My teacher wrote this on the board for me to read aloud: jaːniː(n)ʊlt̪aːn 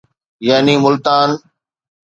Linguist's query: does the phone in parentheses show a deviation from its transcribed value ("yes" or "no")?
yes